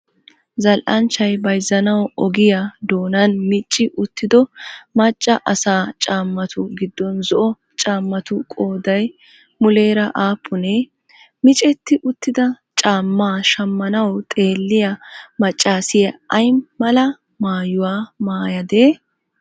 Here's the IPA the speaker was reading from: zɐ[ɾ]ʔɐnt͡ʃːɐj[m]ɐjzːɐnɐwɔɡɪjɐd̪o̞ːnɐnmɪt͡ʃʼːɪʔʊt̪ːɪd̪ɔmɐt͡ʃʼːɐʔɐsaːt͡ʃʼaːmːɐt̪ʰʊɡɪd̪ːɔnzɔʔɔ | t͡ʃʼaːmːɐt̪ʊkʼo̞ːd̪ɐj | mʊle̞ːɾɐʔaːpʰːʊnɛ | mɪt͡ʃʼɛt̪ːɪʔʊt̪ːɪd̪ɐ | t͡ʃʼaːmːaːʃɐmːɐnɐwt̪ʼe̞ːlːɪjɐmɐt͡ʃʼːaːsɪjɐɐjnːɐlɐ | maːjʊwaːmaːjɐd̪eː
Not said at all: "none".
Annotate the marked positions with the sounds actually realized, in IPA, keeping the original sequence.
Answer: l, b

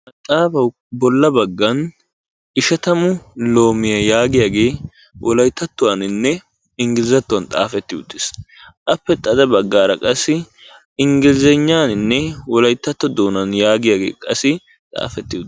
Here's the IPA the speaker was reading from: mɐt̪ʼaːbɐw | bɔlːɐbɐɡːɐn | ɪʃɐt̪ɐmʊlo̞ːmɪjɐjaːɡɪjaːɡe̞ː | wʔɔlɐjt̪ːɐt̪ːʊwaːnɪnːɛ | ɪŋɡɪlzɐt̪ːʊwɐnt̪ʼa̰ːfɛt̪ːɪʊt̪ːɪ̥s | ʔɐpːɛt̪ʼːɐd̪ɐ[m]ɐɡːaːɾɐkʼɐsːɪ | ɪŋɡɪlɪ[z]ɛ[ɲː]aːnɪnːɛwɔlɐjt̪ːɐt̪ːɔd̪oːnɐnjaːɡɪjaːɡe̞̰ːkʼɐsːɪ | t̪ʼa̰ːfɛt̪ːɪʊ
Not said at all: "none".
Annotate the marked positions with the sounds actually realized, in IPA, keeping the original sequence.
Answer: b, z, ɲː

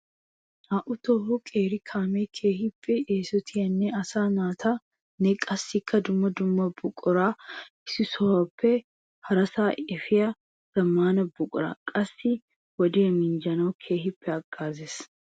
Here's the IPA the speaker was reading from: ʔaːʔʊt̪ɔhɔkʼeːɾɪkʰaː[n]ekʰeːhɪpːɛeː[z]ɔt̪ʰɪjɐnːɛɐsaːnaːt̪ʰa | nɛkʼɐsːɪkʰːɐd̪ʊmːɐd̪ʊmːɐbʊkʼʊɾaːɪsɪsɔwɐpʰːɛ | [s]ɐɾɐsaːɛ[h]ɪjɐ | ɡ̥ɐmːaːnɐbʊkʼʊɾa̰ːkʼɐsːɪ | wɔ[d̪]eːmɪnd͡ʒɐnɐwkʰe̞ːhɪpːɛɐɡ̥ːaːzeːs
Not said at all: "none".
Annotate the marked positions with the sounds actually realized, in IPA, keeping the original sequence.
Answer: m, s, h, f, d̪

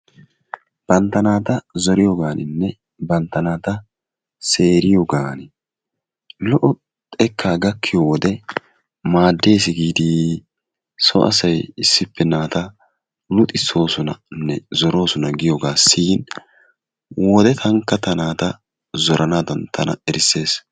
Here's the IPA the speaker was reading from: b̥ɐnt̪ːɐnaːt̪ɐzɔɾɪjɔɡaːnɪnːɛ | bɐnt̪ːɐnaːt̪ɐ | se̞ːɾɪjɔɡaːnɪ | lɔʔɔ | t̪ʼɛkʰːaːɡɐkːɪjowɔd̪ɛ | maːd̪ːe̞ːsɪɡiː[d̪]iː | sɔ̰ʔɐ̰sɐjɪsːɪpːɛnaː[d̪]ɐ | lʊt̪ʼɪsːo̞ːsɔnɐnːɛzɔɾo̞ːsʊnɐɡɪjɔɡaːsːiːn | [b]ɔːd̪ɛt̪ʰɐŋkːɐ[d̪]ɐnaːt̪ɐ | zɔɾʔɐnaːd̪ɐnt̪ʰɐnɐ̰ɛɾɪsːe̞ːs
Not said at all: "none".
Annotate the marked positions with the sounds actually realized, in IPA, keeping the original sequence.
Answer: d̪, t̪, w, t̪

